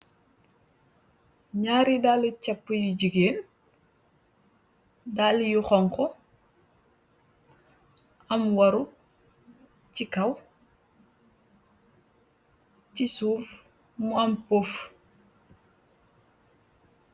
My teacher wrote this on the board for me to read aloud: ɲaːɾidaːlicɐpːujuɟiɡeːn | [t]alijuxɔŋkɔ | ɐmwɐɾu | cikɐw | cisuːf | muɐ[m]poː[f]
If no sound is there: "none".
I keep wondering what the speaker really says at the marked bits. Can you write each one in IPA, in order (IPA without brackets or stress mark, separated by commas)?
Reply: d, m, f